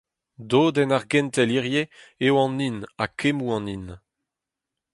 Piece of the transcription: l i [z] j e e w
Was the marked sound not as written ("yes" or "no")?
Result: yes